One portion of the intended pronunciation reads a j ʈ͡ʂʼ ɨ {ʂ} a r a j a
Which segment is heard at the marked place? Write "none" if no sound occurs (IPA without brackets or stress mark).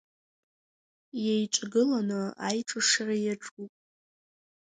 ʂ